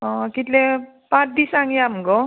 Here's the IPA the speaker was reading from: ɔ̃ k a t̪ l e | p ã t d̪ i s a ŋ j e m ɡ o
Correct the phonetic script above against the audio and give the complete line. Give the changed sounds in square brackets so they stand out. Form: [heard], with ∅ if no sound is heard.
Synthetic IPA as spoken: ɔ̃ k [i] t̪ l e | p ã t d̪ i s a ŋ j [a] m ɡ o